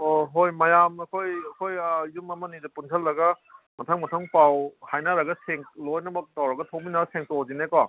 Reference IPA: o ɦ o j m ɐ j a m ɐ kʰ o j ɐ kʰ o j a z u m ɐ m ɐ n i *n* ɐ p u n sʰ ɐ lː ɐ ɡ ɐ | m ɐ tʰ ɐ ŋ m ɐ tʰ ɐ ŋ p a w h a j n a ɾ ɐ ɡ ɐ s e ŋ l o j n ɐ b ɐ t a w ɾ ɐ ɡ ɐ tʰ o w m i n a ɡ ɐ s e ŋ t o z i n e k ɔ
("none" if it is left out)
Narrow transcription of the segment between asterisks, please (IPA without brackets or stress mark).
d